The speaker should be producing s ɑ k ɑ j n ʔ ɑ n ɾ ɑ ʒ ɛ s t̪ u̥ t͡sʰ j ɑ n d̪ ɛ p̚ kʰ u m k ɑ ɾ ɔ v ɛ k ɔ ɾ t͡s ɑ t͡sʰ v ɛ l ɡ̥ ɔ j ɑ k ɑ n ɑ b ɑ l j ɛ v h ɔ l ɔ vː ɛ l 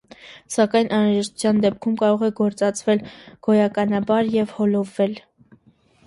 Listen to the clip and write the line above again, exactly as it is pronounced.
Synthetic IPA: s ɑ k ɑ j n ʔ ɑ n ɾ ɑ ʒ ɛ ʃ t̪ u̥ t͡sʰ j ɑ n d̪ ɛ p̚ kʰ u m k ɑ ɾ ɔ ʁ ɛ ɡ ɔ ɾ t͡s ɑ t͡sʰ v ɛ l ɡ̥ ɔ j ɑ k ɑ n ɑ b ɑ ɾ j ɛ v h ɔ l ɔ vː ɛ l